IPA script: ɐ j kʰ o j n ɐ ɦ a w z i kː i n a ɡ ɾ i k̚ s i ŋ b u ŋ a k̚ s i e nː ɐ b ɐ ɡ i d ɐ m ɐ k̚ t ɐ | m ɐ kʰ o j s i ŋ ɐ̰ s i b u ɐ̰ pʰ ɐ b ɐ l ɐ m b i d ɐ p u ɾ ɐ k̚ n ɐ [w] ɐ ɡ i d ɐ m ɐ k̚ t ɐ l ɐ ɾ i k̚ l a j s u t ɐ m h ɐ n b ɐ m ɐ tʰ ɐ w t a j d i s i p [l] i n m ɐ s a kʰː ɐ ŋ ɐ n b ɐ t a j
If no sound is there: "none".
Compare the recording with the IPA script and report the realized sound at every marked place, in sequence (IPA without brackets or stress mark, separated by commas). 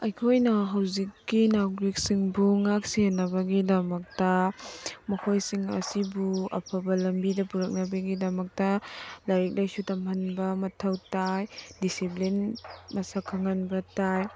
b, l